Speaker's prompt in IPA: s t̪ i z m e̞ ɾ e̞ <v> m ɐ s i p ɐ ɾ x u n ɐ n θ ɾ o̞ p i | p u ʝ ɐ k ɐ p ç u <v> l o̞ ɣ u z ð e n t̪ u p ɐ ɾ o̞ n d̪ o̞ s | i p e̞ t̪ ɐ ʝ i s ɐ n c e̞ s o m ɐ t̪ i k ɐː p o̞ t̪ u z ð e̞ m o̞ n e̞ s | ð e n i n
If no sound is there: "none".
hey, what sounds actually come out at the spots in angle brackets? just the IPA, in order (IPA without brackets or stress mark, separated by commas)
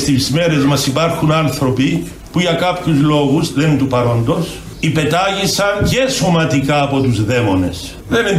z, z